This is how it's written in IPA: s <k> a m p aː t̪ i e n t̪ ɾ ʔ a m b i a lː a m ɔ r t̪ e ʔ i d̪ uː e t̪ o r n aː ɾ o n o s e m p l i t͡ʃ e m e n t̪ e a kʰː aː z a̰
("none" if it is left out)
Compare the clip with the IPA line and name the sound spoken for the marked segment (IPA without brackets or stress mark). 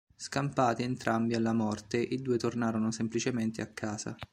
k